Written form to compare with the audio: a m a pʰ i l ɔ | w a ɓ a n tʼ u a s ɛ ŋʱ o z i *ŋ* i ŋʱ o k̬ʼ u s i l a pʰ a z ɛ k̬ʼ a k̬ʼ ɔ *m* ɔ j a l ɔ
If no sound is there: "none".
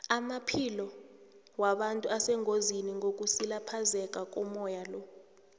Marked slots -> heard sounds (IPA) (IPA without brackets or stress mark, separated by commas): n, m